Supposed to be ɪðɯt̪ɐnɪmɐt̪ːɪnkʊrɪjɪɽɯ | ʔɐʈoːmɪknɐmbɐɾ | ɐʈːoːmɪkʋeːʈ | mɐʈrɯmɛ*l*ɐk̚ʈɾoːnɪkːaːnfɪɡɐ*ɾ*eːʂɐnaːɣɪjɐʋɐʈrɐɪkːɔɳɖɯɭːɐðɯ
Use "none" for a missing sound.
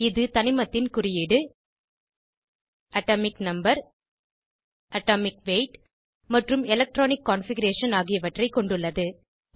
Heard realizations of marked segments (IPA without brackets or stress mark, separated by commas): l, ɾ